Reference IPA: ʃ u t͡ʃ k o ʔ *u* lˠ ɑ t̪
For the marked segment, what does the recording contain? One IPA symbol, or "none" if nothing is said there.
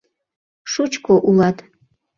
u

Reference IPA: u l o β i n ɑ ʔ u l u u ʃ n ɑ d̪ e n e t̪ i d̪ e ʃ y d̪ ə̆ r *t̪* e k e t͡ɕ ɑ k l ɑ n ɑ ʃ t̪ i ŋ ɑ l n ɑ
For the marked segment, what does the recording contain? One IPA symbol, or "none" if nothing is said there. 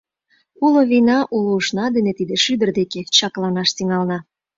d̪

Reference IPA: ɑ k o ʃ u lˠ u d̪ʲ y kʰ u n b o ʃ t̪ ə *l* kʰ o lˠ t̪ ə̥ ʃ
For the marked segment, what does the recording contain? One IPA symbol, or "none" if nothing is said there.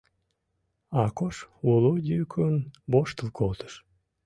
l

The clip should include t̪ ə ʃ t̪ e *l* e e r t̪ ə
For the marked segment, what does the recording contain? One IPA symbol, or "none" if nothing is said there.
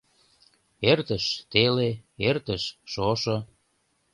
l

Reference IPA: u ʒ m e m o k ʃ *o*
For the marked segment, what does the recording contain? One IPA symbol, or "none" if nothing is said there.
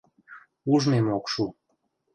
u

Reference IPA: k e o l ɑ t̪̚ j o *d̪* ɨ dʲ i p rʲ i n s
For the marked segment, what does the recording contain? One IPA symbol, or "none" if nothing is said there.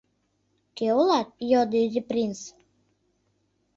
d̪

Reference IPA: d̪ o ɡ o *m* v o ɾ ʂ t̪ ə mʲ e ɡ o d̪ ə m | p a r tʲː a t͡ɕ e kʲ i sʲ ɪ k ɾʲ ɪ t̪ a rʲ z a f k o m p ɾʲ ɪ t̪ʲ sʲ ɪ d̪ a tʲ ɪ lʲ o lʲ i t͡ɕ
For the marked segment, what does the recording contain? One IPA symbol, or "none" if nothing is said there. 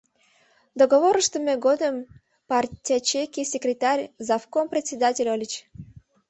none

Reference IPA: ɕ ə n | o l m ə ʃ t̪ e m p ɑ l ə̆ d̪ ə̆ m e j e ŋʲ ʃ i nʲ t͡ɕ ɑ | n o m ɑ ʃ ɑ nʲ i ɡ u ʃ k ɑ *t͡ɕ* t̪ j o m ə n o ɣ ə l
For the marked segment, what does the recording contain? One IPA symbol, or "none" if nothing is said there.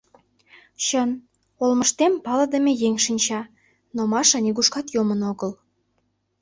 none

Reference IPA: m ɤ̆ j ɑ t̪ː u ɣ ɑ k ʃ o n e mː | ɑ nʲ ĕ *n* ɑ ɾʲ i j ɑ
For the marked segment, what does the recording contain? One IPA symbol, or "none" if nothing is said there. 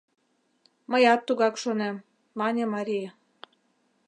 m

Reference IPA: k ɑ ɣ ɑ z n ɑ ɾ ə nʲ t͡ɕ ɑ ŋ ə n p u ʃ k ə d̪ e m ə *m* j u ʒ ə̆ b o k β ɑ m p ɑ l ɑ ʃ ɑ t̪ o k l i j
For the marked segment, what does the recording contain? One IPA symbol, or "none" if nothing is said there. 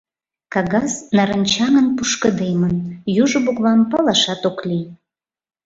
n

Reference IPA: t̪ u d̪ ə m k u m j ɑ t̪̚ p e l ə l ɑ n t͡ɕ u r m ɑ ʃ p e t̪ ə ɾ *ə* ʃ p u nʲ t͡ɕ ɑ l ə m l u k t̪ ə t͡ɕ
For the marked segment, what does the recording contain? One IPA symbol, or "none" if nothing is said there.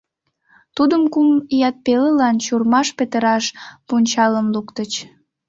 ɑ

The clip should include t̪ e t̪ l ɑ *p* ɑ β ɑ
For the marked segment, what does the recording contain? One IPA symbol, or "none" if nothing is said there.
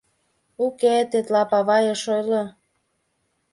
p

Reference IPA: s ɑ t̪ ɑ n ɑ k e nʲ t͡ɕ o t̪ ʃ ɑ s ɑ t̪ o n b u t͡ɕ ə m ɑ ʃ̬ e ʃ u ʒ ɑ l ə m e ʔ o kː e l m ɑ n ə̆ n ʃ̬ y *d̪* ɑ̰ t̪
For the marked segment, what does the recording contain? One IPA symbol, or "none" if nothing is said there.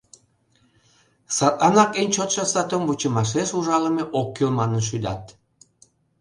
d̪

